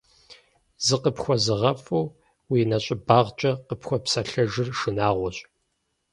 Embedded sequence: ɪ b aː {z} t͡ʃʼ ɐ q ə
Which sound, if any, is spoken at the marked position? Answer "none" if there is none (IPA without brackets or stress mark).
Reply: ʁ